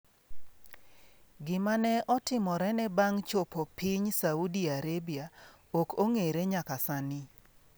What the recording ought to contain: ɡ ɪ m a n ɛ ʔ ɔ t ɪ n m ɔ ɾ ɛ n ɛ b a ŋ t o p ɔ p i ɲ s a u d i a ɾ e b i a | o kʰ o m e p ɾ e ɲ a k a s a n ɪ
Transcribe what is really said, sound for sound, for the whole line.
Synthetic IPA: ɡ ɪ m a n ɛ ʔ ɔ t ɪ m ɔ ɾ ɛ n ɛ b a ŋ t͡ʃ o p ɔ p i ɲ s a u d i a ɾ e b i a | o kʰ o ŋ e ɾ e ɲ a k a s a n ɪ